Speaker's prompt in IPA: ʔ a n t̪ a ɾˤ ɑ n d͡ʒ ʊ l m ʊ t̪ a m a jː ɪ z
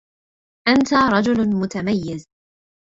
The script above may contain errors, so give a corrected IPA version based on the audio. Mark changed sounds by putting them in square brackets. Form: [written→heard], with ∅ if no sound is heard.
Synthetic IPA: ʔ a n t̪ a ɾˤ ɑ [n→∅] d͡ʒ ʊ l m ʊ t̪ a m a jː ɪ z